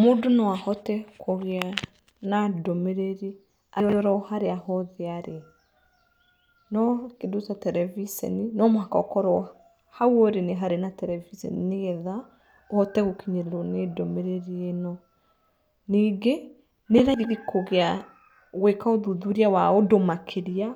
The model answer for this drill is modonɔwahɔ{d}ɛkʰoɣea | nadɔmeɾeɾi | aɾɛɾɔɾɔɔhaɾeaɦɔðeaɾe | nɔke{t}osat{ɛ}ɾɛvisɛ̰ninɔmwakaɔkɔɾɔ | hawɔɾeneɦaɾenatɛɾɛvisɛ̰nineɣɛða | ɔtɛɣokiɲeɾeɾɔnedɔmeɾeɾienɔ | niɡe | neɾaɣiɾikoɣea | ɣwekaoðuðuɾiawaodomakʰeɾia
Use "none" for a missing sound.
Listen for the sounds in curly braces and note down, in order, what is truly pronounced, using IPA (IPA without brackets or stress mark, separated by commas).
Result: t, d, ɛ